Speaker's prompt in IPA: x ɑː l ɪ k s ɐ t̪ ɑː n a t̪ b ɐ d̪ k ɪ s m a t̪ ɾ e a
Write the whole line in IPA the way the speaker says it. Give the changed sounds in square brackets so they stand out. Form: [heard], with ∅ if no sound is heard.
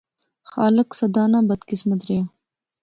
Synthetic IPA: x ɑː l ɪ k s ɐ [d̪] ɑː n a [∅] b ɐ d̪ k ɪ s m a t̪ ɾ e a

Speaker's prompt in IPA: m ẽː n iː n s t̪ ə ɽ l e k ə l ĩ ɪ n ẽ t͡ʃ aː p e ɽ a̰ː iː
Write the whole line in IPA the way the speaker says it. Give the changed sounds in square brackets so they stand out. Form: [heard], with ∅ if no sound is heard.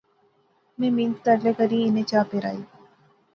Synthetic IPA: m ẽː [m] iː n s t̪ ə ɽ l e k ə [ɾ] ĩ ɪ n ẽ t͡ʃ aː p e [ɾ] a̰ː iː

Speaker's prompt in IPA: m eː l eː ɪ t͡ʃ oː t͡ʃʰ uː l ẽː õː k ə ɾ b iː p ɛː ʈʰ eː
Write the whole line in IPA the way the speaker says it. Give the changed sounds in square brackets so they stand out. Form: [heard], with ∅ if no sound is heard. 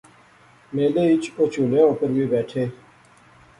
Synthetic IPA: m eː l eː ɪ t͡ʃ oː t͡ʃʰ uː l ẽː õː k ə ɾ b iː [b] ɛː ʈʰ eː

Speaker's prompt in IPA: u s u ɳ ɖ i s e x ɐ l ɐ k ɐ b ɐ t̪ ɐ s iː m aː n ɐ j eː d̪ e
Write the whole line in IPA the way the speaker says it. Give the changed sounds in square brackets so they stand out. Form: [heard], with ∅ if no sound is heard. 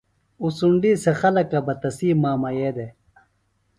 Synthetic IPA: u s u ɳ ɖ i s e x ɐ l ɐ k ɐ b ɐ t̪ ɐ s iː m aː [m] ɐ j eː d̪ e

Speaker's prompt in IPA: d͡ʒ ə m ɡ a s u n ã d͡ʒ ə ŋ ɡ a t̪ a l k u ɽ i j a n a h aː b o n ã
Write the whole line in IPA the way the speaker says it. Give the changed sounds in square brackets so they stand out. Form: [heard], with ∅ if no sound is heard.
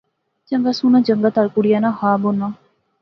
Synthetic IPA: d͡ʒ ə [ŋ] ɡ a s u n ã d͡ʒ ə ŋ ɡ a t̪ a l k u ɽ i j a n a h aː b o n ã

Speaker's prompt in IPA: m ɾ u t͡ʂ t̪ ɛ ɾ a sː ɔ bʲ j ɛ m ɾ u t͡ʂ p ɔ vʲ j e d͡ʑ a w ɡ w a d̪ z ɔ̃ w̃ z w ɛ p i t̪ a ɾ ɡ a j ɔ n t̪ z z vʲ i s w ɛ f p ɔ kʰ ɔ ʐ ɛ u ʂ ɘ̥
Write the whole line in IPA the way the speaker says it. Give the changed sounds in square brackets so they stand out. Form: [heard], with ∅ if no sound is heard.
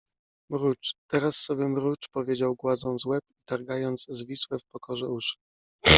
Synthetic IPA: m ɾ u t͡ʂ t̪ ɛ ɾ a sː ɔ bʲ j ɛ m ɾ u t͡ʂ p ɔ vʲ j e d͡ʑ a w ɡ w a d̪ z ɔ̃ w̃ z w ɛ p i t̪ a ɾ ɡ a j ɔ n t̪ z z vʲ i s w ɛ f p ɔ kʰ ɔ ʐ ɛ u ʂ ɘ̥

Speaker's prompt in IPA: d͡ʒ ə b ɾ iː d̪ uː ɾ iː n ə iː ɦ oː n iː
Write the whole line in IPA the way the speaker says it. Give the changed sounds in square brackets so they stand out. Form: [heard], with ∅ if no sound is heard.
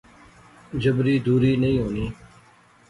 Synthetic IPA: d͡ʒ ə b ɾ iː d̪ uː ɾ iː n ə [ĩː] ɦ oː n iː

